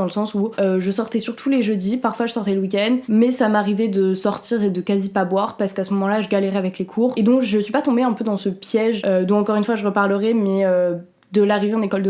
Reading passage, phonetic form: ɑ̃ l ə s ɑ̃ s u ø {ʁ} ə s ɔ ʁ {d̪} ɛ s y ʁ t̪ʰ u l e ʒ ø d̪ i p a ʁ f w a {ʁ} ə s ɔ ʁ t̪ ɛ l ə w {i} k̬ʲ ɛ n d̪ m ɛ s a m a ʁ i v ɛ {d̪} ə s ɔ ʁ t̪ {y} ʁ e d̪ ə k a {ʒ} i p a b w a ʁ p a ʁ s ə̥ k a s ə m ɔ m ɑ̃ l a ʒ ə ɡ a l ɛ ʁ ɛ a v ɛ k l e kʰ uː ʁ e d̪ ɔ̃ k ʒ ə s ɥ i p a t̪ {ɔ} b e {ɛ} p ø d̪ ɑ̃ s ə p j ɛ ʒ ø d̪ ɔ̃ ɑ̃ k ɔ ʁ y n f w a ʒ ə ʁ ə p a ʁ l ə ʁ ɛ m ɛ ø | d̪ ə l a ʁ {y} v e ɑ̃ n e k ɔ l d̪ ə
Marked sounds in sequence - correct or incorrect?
incorrect: ʒ, incorrect: t̪, incorrect: ʒ, correct, correct, incorrect: i, incorrect: z, incorrect: ɔ̃, incorrect: ɛ̃, incorrect: i

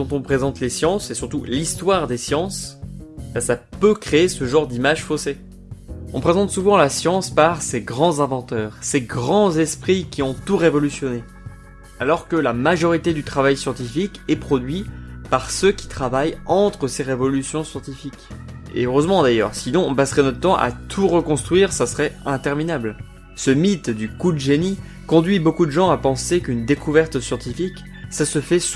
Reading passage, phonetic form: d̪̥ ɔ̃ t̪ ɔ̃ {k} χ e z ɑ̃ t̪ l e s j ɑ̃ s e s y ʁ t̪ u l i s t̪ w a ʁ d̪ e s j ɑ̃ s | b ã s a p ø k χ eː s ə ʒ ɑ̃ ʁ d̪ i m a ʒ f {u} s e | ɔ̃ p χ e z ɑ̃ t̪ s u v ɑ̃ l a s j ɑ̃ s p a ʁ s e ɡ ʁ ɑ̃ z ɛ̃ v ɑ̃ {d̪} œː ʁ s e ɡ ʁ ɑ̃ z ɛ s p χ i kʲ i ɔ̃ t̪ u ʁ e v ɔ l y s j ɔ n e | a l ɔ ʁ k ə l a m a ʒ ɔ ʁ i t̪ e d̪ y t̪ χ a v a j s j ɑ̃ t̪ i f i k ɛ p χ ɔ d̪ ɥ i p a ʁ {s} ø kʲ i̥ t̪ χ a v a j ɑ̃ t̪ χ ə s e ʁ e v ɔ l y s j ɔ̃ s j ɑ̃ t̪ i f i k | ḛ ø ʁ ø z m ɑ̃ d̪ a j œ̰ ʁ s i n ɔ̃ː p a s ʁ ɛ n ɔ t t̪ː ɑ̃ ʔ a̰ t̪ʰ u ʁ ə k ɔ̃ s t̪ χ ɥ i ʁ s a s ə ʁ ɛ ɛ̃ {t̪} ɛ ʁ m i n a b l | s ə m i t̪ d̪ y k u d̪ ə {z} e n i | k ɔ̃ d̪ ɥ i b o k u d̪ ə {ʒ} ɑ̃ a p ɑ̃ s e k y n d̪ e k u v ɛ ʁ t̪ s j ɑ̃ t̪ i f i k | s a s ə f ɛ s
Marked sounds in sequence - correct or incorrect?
incorrect: p, incorrect: o, incorrect: t̪, correct, correct, incorrect: ʒ, correct

